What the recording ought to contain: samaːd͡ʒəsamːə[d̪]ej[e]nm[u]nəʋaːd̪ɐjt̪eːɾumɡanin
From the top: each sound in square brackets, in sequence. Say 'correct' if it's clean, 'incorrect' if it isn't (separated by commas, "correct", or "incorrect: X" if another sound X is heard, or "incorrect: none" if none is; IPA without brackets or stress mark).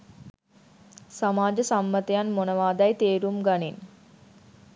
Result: incorrect: t̪, incorrect: a, incorrect: o